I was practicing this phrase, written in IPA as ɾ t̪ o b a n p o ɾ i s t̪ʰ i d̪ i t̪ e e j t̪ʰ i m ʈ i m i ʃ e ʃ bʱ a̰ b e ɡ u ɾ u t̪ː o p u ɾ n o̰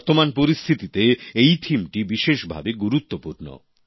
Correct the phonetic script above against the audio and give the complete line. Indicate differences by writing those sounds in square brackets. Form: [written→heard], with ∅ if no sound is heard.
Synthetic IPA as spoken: ɾ t̪ o [b→m] a n p o ɾ i s t̪ʰ i [d̪→t̪] i t̪ e e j t̪ʰ i m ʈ i [m→b] i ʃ e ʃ bʱ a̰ b e ɡ u ɾ u t̪ː o p u ɾ n o̰